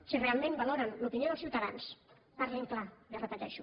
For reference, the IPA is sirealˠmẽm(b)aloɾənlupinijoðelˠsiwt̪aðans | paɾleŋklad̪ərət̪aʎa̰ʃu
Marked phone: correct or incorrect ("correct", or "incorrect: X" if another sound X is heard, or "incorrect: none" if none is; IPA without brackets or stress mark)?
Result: correct